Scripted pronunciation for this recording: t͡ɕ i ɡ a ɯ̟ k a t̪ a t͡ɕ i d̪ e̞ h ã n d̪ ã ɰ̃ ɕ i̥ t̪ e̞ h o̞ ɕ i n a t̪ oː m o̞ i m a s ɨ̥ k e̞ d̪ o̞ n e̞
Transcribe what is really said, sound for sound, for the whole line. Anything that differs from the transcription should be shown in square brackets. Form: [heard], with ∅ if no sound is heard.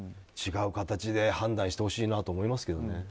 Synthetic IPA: t͡ɕ i ɡ a ɯ̟ k a t̪ a t͡ɕ i d̪ e̞ h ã n d̪ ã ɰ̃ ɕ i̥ t̪ e̞ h o̞ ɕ [iː] n a t̪ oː m o̞ i m a s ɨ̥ k e̞ d̪ o̞ n e̞